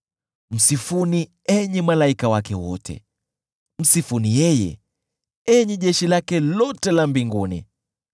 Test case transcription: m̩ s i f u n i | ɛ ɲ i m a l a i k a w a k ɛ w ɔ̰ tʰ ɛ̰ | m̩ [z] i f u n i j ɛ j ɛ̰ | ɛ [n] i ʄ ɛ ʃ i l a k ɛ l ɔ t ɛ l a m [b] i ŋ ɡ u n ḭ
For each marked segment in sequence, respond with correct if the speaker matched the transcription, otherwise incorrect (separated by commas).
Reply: incorrect, incorrect, correct